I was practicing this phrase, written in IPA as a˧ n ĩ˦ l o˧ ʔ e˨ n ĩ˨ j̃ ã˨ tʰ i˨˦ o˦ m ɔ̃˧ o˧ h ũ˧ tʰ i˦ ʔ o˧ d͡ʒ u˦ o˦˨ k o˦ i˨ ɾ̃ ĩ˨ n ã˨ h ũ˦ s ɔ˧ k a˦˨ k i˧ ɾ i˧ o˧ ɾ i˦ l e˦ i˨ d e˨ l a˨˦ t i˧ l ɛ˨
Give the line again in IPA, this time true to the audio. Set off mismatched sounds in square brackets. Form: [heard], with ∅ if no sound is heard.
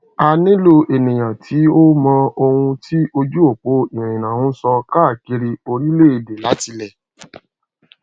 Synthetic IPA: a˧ n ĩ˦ l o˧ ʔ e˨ n ĩ˨ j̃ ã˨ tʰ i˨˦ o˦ m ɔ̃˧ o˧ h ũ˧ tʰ i˦ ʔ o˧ d͡ʒ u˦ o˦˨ [k͡p] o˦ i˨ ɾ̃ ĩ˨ n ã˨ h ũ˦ s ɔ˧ k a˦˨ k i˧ ɾ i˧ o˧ ɾ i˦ l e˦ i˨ d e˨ l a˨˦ t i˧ l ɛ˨